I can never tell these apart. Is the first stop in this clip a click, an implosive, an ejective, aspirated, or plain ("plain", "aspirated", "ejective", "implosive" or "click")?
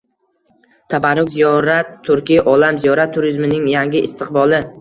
aspirated